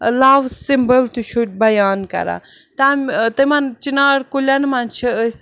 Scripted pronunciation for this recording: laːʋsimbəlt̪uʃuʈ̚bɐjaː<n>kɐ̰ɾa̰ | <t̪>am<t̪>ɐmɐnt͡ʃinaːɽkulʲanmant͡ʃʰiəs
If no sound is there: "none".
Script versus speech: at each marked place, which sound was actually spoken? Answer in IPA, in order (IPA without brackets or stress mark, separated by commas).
n, t̪, t̪